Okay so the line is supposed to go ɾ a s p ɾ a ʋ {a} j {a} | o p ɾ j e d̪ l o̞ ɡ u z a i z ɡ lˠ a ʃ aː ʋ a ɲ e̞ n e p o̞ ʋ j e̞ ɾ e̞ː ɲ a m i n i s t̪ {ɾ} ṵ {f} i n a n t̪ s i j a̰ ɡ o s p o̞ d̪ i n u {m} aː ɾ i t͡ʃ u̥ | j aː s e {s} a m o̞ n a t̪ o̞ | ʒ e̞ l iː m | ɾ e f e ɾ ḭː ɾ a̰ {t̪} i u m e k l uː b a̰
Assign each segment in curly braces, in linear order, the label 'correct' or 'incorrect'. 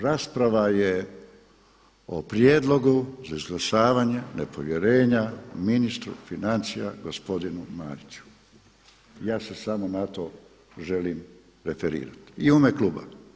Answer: correct, incorrect: e, correct, correct, correct, correct, correct

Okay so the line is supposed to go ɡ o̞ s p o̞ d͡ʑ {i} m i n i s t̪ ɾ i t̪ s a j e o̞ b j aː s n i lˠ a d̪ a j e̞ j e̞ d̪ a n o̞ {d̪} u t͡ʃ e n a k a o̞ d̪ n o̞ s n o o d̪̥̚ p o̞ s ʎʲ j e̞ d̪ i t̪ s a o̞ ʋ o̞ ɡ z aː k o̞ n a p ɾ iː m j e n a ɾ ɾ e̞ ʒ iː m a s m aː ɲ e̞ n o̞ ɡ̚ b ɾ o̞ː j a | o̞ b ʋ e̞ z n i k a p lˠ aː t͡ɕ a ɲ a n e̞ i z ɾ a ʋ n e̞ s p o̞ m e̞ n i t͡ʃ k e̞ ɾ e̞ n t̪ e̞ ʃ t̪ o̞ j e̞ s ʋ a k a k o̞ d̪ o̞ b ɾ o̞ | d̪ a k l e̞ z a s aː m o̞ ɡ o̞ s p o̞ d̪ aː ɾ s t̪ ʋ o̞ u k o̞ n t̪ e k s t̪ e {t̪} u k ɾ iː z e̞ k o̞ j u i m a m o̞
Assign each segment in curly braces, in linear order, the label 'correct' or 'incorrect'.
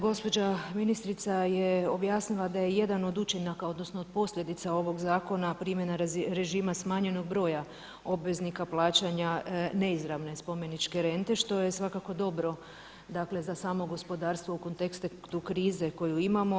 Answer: incorrect: a, correct, correct

